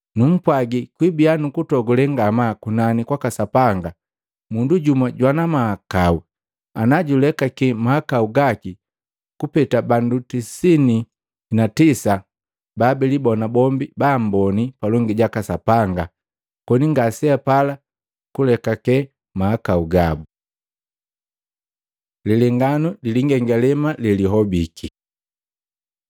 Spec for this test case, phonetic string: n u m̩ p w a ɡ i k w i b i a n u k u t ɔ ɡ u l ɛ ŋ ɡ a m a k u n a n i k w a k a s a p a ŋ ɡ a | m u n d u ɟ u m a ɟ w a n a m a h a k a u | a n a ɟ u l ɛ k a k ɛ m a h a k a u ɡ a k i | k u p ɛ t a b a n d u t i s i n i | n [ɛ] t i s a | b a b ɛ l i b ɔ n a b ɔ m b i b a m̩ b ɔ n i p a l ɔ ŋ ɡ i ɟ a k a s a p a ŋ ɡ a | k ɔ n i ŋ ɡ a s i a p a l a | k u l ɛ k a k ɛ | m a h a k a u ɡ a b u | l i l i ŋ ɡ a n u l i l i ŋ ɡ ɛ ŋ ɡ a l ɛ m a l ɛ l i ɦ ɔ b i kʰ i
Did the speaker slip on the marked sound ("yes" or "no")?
yes